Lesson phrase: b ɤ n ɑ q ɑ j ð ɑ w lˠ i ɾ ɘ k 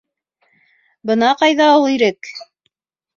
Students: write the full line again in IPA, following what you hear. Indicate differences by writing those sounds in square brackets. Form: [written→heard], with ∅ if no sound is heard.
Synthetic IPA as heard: b ɤ n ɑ q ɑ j ð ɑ [w→u] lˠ i ɾ ɘ k

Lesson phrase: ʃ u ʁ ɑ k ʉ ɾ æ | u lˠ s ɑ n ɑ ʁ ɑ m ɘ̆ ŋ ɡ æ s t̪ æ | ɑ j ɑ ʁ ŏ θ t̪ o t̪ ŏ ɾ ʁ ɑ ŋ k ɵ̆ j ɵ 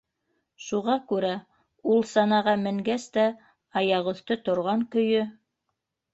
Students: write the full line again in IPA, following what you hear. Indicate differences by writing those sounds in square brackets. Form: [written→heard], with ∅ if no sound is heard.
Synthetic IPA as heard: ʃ u ʁ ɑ k ʉ ɾ æ | u lˠ s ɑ n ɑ ʁ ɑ m ɘ̆ ŋ ɡ æ s t̪ æ | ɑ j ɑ ʁ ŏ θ t̪ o t̪ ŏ ɾ ʁ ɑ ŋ k ɵ̆ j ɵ

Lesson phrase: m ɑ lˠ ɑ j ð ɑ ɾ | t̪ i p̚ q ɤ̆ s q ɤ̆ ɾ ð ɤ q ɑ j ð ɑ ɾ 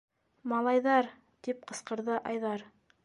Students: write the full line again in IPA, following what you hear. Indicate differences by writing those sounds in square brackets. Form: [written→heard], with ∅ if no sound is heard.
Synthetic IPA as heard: m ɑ lˠ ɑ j ð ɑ ɾ | t̪ i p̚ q ɤ̆ s q ɤ̆ ɾ ð ɤ [q→ʔ] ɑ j ð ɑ ɾ

